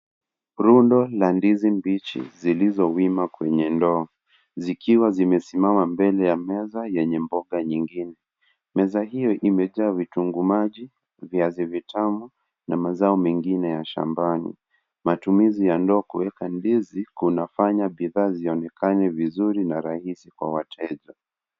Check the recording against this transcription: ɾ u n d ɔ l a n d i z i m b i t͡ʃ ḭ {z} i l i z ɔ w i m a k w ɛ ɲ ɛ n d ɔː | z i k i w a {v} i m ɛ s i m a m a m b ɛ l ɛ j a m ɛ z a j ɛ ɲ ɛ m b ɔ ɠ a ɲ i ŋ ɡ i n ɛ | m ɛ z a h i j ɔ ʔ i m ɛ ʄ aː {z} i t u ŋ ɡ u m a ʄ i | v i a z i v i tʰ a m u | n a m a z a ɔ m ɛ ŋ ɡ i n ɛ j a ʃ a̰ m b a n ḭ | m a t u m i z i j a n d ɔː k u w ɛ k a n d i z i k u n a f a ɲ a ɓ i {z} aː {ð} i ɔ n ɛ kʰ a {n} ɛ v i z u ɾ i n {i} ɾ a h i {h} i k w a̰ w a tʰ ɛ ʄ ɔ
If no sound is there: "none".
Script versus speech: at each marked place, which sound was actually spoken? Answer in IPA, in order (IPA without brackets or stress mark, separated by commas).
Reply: z, z, v, ð, z, n, a, s